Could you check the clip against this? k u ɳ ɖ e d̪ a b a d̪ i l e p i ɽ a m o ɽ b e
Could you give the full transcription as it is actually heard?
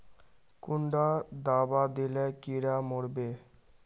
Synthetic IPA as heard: k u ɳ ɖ a d̪ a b a d̪ i l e k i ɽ a m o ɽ b e